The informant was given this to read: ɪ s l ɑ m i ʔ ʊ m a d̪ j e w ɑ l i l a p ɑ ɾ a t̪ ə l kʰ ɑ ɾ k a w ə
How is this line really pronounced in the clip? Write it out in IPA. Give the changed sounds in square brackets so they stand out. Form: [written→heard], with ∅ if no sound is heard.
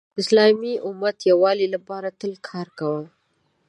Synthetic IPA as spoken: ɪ s l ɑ m i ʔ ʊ m a [d̪→t̪] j [e→a] w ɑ l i l a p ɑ ɾ a t̪ ə l kʰ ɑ ɾ k a w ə

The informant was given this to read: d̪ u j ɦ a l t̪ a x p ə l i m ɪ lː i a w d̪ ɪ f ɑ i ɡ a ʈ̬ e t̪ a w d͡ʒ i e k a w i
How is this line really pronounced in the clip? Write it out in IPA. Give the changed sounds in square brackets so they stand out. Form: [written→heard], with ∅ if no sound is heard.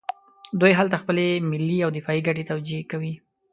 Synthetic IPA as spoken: d̪ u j ɦ a l t̪ a x p ə l [i→e] m ɪ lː i a w d̪ ɪ f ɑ i ɡ a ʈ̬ e t̪ a w d͡ʒ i e k a w i

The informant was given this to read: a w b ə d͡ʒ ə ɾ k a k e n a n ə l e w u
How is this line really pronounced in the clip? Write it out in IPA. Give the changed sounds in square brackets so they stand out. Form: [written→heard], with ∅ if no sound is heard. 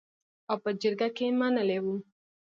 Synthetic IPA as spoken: a w [b→p] ə d͡ʒ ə ɾ [k→ɡ] a k e [n→m] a n ə l e w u

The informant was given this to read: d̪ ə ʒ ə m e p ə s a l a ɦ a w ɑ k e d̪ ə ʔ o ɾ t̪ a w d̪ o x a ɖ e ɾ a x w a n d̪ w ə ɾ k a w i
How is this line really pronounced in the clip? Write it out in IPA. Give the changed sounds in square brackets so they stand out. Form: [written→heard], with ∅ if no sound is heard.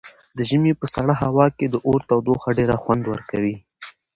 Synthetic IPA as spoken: d̪ ə ʒ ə m e p ə s a [l→ɽ] a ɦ a w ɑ k e d̪ ə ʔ o ɾ t̪ a w d̪ o x a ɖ e ɾ a x w a n d̪ w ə ɾ k a w i

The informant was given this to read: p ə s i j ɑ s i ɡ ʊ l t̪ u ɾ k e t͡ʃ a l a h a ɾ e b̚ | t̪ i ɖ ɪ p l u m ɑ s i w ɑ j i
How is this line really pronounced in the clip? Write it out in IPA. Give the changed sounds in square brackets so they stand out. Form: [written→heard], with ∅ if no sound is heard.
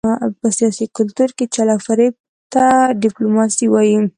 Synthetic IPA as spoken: p ə s i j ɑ s i [ɡ→k] ʊ l t̪ u ɾ k e t͡ʃ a l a [h→f] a ɾ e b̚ | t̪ [i→a] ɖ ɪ p l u m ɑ s i w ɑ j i

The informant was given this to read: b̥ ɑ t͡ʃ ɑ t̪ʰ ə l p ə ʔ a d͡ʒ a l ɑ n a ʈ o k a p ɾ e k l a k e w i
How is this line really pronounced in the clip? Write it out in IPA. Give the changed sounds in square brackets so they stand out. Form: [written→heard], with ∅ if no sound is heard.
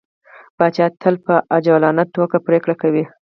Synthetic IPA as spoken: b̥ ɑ t͡ʃ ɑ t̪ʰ ə l p ə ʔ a d͡ʒ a l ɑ n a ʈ o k a p ɾ e k [l→ɽ] a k [e→a] w i

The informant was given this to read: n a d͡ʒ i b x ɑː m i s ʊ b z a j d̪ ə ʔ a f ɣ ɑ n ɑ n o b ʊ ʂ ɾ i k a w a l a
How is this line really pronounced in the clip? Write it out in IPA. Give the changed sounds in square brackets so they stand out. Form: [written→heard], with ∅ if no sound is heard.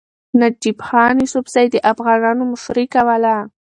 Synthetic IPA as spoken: n a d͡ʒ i b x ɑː [m→n] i s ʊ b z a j d̪ ə ʔ a f ɣ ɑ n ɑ n o [b→m] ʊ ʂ ɾ i k a w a l a

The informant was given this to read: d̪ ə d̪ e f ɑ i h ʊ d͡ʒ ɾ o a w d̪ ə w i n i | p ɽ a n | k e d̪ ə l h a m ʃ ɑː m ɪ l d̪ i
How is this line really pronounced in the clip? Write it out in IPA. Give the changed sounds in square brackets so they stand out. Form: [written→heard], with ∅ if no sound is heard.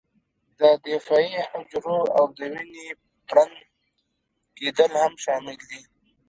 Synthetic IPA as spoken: d̪ ə d̪ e f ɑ i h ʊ d͡ʒ ɾ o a w d̪ ə w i n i | p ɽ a n | k e d̪ ə l h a m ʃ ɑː m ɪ l d̪ i

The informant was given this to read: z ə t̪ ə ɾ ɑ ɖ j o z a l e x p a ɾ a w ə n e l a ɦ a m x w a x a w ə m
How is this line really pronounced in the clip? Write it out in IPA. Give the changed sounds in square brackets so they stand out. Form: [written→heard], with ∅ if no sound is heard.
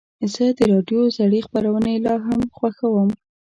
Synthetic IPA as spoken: z ə [t̪→d̪] ə ɾ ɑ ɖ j o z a [l→ɽ] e x p a ɾ a w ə n e l [a→ɑ] ɦ a m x w a x a w ə m

